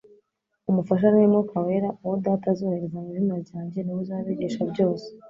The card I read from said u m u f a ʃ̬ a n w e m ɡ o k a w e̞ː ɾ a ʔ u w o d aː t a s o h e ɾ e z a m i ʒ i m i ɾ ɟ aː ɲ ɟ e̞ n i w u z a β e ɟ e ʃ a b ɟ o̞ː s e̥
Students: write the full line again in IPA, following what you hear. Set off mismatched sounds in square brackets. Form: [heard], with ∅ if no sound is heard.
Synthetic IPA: u m u f a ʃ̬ a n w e m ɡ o k a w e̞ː ɾ a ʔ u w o d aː t a [z] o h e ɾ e z a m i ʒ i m [a] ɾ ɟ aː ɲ ɟ e̞ n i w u z a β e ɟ e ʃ a b ɟ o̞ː s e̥